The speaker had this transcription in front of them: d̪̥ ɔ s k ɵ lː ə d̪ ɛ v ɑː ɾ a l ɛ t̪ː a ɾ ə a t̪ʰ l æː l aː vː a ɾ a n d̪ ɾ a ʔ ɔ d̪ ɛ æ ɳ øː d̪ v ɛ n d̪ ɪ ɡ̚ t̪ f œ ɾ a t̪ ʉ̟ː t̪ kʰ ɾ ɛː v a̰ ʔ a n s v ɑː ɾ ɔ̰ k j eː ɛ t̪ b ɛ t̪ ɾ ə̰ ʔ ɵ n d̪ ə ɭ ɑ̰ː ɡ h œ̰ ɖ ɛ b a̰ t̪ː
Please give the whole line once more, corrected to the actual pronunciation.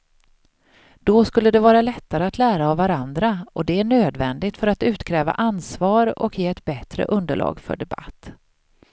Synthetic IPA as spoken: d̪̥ ɔ s k ɵ lː ə d̪ ɛ v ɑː ɾ a l ɛ t̪ː a ɾ ə a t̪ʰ l æː ɾ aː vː a ɾ a n d̪ ɾ a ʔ ɔ d̪ ɛ æ ɳ øː d̪ v ɛ n d̪ ɪ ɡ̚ t̪ f œ ɾ a t̪ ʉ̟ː t̪ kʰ ɾ ɛː v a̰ ʔ a n s v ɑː ɾ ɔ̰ k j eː ɛ t̪ b ɛ t̪ ɾ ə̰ ʔ ɵ n d̪ ə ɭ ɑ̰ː ɡ f œ̰ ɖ ɛ b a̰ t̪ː